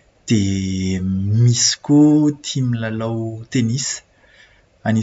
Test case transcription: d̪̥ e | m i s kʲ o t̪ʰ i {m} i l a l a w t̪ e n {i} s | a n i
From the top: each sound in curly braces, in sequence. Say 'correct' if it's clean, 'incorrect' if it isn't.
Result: correct, correct

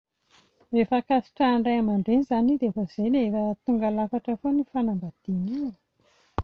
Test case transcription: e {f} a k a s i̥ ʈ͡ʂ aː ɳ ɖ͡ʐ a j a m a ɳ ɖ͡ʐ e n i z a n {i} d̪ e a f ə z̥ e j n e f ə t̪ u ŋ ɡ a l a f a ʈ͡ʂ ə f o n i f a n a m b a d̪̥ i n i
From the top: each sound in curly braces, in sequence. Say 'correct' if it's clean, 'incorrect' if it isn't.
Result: correct, correct

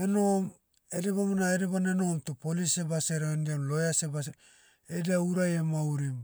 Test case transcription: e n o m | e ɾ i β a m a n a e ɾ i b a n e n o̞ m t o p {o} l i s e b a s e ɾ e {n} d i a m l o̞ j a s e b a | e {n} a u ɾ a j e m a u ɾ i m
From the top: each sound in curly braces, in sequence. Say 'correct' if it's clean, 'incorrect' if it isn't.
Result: correct, correct, incorrect

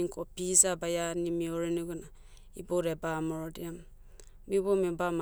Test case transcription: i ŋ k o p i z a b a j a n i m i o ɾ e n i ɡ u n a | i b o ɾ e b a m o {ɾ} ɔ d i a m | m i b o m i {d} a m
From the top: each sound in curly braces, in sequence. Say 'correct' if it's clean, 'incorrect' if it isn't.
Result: correct, incorrect

